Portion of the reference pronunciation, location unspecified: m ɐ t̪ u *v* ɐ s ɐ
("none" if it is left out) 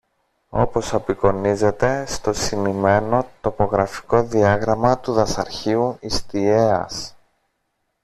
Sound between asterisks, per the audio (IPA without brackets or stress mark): ð